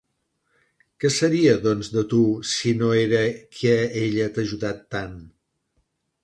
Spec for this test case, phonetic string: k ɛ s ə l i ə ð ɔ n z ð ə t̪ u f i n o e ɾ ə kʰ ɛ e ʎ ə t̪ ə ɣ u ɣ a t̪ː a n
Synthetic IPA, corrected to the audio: k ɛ s ə ɾ i ə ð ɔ n z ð ə t̪ u s i n o e ɾ ə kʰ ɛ e ʎ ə t̪ ə ʒ u ð a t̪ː a n

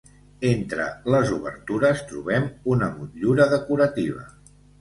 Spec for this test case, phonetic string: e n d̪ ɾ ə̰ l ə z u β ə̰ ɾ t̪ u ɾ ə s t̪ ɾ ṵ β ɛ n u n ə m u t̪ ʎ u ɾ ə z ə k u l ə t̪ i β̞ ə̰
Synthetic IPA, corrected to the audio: e n t̪ ɾ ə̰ l ə z u β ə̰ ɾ t̪ u ɾ ə s t̪ ɾ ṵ β ɛ m u n ə m u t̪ ʎ u ɾ ə ð ə k u ɾ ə t̪ i β̞ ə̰

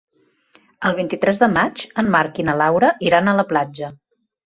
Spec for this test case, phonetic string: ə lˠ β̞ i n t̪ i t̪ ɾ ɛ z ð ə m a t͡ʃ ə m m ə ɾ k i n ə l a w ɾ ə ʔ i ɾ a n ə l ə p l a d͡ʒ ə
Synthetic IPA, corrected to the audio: ə lˠ β̞ i n t̪ i t̪ ɾ ɛ z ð ə m a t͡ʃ ə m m a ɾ k i n ə l a w ɾ ə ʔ i ɾ a n ə l ə p l a d͡ʒ ə

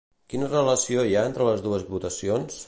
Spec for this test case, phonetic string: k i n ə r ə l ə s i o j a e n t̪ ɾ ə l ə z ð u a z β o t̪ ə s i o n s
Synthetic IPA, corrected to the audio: k i n ə r ə l ə s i o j a e n t̪ ɾ ə l ə z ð u ə z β u t̪ ə s i o n s

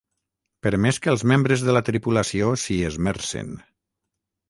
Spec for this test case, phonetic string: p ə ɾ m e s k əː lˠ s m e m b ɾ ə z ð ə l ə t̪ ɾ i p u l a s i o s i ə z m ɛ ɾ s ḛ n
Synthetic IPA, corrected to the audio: p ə ɾ m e s k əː lˠ z m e m b ɾ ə z ð ə l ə t̪ ɾ i p u l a s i o s i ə z m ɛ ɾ s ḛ n

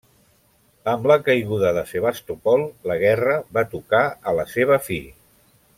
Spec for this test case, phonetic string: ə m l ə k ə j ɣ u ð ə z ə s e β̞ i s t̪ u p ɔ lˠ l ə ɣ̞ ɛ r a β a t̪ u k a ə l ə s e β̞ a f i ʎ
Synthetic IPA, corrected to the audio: ə m l ə k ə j ɣ u ð ə ð ə s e β̞ a s t̪ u p ɔ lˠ l ə ɣ̞ ɛ r ə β a t̪ u k a ə l ə s e β̞ ə f i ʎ

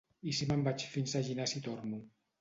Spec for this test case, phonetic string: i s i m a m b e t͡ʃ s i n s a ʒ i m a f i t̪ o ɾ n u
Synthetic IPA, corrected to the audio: i s i m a m b a t͡ʃ f i n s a ʒ i n a s i t̪ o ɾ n u

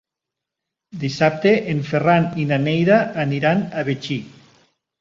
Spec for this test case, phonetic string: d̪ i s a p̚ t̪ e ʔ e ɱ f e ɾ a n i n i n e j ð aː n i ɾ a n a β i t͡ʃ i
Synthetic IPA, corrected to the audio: d̪ i s a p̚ t̪ e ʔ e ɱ f e r a n i n a n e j ð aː n i ɾ a n a β e t͡ʃ i

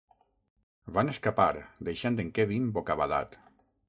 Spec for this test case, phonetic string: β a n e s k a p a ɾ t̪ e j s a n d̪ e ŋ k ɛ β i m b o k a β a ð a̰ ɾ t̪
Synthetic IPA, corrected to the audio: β a n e s k a p a ɾ d̪ e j ʃ a n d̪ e ŋ k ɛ β i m b o k a β a ð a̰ t̪

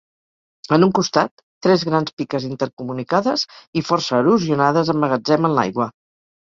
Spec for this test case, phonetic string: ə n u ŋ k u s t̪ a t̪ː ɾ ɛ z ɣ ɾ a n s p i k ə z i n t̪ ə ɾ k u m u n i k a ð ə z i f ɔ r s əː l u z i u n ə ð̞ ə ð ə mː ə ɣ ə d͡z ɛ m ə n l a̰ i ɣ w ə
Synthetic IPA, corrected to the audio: ə n u ŋ k u s t̪ a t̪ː ɾ ɛ z ɣ ɾ a n s p i k ə z i n t̪ ə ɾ k u m u n i k a ð ə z i f ɔ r s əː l u z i u n a ð̞ ə z ə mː ə ɣ ə d͡z ɛ m ə n l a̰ j ɣ w ə

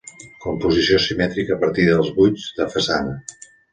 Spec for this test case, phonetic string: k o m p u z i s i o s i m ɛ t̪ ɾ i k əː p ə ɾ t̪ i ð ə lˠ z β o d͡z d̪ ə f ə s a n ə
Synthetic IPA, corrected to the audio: k u m p u z i s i o s i m ɛ t̪ ɾ i k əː p ə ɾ t̪ i ð ə lˠ z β u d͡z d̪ ə f ə s a n ə

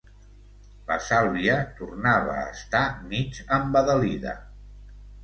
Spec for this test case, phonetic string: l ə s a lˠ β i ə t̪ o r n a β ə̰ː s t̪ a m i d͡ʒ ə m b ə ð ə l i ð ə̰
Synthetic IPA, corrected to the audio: l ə s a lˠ β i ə t̪ u r n a β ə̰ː s t̪ a m i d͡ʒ ə m b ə ð ə l i ð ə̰

